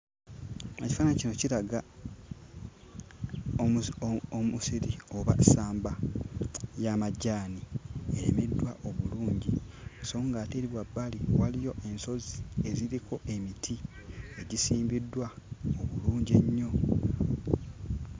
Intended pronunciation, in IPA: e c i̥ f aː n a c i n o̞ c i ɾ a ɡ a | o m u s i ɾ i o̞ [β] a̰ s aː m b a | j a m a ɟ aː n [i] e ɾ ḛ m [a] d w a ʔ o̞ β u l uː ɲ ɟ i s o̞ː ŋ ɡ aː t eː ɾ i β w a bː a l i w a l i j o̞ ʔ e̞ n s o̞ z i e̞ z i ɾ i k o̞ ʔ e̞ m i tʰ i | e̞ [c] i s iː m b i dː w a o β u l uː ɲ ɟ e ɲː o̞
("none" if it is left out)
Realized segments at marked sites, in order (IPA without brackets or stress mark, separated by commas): β, i, e, ɟ